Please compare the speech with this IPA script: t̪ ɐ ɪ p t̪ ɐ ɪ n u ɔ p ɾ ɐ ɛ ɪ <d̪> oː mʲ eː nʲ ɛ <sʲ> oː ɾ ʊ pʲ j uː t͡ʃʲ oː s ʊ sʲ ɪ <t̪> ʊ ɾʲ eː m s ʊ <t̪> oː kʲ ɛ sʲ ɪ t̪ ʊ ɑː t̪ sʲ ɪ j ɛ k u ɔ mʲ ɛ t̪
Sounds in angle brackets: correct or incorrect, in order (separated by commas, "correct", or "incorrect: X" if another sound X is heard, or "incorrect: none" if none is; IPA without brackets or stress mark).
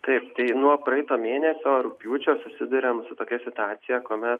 incorrect: t̪, correct, incorrect: d̪, correct